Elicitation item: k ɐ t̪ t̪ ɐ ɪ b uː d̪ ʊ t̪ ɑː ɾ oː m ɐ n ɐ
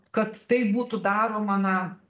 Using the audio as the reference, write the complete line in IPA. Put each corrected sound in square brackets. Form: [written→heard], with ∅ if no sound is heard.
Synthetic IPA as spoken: k ɐ t̪ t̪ ɐ ɪ b uː [d̪→t̪] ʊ [t̪→d̪] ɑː ɾ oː m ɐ n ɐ